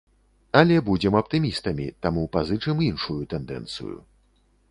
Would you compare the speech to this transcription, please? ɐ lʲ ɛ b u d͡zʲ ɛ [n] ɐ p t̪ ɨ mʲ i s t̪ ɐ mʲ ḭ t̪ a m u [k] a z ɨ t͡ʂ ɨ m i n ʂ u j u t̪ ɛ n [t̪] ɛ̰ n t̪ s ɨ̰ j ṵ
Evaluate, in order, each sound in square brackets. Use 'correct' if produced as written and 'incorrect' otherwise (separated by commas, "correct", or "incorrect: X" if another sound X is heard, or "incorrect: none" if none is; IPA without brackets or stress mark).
incorrect: m, incorrect: p, incorrect: d̪